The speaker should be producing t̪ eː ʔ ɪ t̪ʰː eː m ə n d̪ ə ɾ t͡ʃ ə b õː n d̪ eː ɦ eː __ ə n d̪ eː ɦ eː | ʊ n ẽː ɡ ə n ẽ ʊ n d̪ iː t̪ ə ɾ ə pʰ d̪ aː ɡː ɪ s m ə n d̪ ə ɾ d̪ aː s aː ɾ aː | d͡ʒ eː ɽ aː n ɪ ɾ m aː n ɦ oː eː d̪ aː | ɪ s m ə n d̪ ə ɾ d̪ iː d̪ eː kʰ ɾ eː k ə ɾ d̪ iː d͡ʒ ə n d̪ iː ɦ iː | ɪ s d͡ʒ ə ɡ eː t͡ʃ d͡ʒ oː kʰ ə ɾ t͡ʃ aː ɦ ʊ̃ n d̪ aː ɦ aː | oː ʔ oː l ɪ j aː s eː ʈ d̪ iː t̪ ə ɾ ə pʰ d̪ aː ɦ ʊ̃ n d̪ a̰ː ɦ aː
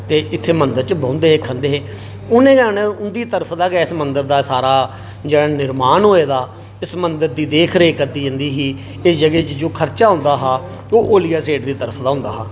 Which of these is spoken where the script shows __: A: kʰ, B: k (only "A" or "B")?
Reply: A